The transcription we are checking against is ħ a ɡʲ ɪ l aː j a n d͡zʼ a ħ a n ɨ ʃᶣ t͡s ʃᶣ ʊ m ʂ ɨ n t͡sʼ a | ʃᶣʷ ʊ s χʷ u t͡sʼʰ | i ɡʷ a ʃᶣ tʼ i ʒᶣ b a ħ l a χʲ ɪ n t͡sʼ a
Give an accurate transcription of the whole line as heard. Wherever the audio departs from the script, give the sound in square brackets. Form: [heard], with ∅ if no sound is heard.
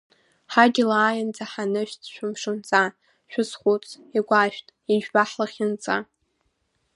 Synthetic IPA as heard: ħ a ɡʲ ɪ l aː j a n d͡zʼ a ħ a n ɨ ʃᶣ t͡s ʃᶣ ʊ m ʂ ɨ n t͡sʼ a | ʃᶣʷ ʊ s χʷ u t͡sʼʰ | i ɡʷ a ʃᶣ tʼ i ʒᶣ b a ħ l a χʲ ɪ n t͡sʼ a

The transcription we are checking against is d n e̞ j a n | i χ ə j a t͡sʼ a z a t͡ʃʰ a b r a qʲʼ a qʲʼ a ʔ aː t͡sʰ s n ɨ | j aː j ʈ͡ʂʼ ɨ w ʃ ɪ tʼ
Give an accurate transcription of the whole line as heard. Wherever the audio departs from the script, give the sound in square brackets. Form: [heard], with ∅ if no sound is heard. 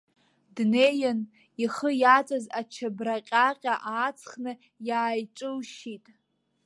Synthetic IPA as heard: d n e̞ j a n | i χ ə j a t͡sʼ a z a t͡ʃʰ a b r a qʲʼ a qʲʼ a ʔ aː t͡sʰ [χ] n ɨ | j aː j ʈ͡ʂʼ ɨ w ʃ [i] tʼ

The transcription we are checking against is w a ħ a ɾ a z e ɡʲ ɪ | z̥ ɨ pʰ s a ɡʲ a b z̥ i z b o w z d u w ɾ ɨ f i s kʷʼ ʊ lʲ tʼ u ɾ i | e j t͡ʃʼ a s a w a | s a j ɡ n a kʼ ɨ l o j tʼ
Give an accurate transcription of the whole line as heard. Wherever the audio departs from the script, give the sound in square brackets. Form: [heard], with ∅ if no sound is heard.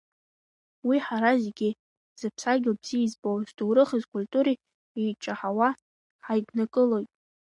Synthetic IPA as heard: w [i] ħ a ɾ a z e ɡʲ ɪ | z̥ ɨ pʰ s a ɡʲ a b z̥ i z b o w z d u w ɾ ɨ [χ] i [z] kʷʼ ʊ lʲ tʼ u ɾ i | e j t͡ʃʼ a [ħ] a w a | [ħ] a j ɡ n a kʼ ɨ l o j tʼ

